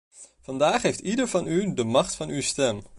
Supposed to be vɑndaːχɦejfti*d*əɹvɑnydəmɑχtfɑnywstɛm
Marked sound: correct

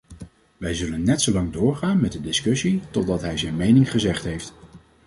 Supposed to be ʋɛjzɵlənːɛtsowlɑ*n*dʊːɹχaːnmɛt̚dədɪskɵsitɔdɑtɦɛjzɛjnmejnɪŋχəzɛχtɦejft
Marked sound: incorrect: ŋ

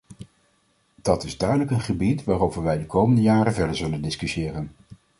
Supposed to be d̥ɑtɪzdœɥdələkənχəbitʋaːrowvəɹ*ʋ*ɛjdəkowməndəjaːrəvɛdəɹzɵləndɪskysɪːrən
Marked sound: correct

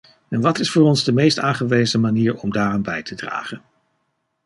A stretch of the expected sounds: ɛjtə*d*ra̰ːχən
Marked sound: correct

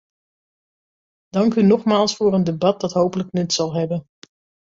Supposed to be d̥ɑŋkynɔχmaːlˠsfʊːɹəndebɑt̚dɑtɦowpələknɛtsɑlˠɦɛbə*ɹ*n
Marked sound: incorrect: none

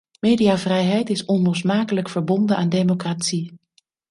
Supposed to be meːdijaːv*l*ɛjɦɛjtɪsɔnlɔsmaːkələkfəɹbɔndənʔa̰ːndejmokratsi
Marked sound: incorrect: r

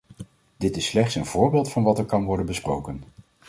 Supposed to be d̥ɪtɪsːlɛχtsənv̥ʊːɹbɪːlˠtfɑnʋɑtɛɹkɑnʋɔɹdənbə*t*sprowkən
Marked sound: incorrect: none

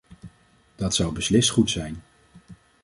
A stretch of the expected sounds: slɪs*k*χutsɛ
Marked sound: incorrect: t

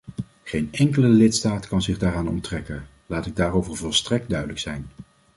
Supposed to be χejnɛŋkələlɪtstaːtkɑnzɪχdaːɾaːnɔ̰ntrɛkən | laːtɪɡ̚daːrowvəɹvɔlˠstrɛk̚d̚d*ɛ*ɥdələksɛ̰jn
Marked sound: incorrect: œ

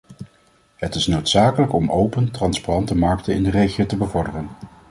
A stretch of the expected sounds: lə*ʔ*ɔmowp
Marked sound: incorrect: k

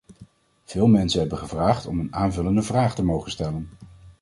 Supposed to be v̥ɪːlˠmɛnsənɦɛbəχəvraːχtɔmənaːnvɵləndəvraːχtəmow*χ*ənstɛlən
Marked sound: correct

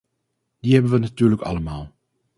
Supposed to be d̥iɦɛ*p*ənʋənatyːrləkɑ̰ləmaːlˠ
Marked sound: incorrect: b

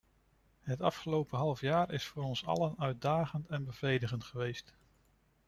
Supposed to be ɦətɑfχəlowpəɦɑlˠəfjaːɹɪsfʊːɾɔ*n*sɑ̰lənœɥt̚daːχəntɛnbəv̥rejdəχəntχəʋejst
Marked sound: correct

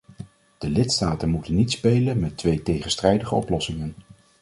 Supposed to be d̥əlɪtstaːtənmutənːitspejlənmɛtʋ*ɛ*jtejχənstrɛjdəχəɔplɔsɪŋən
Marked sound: incorrect: e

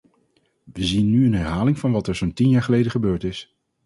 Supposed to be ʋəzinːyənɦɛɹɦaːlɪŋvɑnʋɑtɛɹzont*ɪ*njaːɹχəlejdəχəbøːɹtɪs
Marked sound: incorrect: i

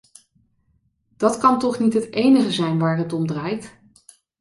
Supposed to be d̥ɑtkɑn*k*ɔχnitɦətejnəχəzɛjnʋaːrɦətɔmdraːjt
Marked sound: incorrect: t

